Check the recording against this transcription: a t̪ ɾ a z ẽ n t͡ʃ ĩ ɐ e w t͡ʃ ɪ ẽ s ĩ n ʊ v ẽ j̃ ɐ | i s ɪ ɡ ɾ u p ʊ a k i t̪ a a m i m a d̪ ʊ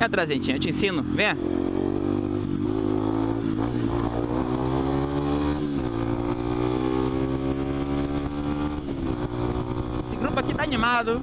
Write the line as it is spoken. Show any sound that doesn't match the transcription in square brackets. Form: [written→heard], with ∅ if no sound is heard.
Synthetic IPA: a t̪ ɾ a z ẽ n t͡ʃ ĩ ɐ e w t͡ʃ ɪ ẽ s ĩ n ʊ v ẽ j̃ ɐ | [i→e] s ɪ ɡ ɾ u p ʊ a k i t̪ a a [m→n] i m a d̪ ʊ